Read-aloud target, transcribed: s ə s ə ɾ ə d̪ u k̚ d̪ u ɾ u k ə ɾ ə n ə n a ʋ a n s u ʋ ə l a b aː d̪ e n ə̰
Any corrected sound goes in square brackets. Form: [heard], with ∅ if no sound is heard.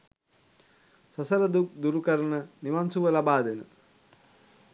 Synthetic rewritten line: s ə s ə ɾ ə d̪ u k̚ d̪ u ɾ u k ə ɾ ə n ə n [i] ʋ a n s u ʋ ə l a b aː d̪ e n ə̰